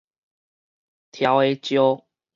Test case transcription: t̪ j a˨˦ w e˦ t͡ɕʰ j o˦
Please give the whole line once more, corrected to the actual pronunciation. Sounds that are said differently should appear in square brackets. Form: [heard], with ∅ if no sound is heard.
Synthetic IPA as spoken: [t̪ʰ] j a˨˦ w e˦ [t͡ɕ] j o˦